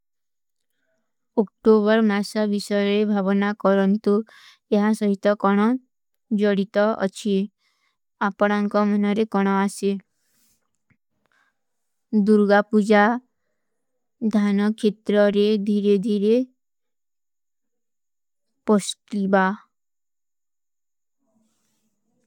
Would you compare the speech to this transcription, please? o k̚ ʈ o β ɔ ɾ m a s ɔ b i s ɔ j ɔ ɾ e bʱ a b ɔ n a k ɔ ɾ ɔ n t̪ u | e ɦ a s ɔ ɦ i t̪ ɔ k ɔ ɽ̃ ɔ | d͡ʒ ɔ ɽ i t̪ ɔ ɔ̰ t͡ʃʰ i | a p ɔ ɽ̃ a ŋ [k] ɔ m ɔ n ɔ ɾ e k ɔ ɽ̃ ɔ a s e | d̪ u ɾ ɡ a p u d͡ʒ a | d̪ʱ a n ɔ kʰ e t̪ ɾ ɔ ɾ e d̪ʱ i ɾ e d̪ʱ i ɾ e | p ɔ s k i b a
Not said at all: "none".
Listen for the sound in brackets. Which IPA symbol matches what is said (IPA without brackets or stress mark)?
k